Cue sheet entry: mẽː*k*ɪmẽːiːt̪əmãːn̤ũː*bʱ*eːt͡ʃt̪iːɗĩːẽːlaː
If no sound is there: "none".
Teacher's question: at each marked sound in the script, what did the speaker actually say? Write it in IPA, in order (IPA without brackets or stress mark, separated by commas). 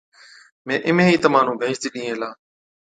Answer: ʔ, bʱ